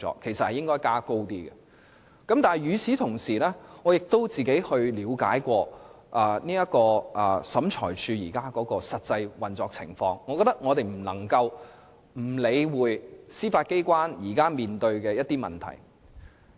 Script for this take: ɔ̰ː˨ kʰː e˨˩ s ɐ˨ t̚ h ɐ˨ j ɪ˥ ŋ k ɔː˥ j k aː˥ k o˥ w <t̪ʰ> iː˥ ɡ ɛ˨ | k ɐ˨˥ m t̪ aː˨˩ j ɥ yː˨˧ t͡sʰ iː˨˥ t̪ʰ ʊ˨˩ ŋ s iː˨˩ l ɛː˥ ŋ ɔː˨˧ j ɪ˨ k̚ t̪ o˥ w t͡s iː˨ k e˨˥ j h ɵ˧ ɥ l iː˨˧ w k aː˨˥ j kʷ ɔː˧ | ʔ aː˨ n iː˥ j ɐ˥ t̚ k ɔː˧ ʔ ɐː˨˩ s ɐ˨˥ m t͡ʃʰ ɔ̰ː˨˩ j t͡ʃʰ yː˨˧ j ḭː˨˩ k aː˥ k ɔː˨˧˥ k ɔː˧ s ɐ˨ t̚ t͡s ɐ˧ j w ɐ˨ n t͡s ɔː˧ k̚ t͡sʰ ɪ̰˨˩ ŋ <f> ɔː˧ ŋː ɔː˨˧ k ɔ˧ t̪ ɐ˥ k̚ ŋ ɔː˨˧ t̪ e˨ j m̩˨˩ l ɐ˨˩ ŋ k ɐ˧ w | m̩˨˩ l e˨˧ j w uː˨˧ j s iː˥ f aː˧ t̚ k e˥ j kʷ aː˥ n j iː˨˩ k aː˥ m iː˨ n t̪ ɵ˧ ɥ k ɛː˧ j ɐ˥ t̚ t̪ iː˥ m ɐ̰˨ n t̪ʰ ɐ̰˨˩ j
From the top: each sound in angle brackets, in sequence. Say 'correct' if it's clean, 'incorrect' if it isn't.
incorrect: t̪, correct

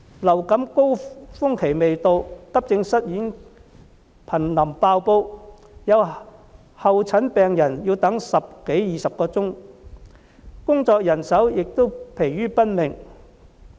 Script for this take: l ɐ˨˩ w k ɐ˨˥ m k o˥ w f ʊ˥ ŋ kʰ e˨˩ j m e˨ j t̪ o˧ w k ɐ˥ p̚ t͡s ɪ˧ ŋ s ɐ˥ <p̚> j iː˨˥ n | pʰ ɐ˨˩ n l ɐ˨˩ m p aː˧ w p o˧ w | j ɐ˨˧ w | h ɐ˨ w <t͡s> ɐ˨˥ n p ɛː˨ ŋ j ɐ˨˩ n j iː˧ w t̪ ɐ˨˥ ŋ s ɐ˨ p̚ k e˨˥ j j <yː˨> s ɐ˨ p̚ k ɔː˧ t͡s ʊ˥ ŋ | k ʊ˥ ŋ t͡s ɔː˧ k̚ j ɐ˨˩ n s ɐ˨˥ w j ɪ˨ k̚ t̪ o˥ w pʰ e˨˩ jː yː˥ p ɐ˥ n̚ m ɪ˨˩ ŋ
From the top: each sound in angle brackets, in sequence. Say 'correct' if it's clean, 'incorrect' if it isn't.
incorrect: t̚, incorrect: t͡sʰ, incorrect: iː˨

